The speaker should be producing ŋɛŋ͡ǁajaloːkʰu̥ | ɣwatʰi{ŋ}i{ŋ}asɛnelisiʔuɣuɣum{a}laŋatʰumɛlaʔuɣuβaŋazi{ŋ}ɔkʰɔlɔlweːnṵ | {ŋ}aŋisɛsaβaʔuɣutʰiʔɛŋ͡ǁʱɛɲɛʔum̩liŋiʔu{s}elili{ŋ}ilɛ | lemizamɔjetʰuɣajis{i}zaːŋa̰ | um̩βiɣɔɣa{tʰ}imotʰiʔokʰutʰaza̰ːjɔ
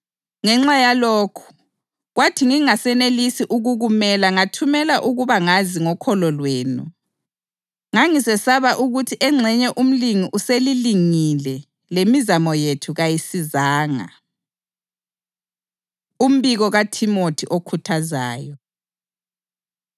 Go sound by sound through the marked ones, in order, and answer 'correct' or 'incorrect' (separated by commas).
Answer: correct, correct, incorrect, correct, correct, correct, correct, correct, correct